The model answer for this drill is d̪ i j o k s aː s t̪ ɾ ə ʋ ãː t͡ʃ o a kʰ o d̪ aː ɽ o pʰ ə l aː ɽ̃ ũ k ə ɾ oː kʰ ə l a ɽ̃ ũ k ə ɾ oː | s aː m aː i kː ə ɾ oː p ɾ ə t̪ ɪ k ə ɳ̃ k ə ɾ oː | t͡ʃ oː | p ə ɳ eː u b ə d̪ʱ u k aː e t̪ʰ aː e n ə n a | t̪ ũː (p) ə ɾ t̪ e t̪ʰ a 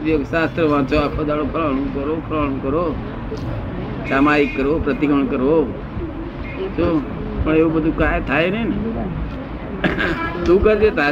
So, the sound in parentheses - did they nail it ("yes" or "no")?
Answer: no